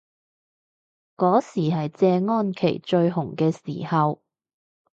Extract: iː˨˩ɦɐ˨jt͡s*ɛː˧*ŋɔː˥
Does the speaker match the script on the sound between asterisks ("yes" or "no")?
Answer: yes